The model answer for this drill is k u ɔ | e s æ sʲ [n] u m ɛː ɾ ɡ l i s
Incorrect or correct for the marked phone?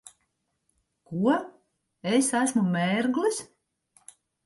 incorrect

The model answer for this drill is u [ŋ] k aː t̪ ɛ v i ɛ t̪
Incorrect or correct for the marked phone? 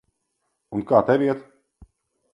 incorrect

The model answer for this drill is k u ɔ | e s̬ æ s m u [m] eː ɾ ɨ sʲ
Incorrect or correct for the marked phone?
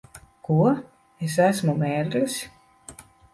correct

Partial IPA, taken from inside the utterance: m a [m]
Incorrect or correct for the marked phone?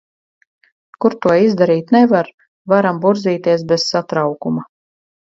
incorrect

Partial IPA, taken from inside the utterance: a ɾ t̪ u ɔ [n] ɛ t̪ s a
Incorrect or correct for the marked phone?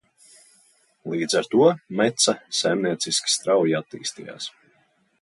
incorrect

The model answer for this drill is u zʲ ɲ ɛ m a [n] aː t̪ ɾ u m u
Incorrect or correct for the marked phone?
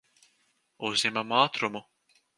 incorrect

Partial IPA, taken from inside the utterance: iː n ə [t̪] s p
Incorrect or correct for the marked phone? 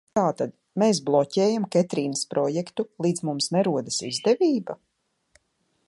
incorrect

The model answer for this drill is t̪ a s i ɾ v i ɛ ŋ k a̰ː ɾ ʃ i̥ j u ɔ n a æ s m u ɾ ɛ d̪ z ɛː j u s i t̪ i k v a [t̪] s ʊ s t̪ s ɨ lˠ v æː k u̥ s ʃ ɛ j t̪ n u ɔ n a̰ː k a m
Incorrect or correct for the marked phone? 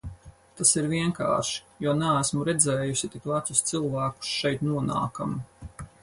correct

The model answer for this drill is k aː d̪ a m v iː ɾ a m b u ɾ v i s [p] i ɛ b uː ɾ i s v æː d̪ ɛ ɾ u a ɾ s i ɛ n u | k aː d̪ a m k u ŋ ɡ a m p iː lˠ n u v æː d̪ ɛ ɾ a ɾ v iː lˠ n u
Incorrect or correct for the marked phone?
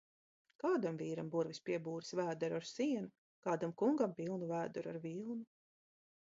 correct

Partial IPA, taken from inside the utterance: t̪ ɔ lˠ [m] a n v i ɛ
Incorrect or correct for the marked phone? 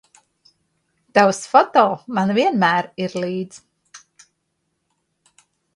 correct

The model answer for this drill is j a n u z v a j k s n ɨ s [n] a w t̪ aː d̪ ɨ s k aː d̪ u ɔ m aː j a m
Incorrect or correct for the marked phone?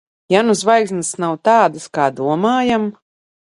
correct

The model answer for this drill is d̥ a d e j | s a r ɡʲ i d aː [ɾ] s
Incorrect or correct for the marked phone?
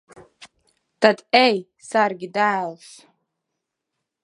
incorrect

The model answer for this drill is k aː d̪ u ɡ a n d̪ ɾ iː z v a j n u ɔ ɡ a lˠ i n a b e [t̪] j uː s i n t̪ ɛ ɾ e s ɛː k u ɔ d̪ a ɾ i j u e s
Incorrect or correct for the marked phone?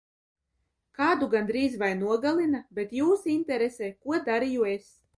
correct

